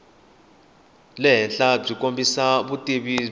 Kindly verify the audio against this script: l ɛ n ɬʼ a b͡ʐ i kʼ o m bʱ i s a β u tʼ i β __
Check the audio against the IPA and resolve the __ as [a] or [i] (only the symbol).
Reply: i